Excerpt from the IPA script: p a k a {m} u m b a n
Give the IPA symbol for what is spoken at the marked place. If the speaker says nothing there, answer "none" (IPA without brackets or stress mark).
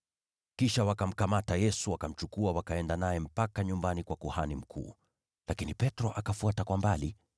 ɲ